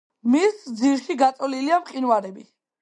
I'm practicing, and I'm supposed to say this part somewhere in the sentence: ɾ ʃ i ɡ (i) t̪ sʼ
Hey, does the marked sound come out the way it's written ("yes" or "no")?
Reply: no